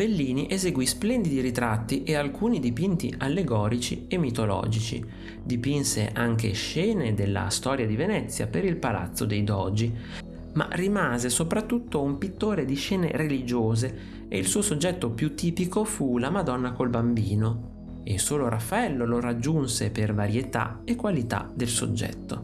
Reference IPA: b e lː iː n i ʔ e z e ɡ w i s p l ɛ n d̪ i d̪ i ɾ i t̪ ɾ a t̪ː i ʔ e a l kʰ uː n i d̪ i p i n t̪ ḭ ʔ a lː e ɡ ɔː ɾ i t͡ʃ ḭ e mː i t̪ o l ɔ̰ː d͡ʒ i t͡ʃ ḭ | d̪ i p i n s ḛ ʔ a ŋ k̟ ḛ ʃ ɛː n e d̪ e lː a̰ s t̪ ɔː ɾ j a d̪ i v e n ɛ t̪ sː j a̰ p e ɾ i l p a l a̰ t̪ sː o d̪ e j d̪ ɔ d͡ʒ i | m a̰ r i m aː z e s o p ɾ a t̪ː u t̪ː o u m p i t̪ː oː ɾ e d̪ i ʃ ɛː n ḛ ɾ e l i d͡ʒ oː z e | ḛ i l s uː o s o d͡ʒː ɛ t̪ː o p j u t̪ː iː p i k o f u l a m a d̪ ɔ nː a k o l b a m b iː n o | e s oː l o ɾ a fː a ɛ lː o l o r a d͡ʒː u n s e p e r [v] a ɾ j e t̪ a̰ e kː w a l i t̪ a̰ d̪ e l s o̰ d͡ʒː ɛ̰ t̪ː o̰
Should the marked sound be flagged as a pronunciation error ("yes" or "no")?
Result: no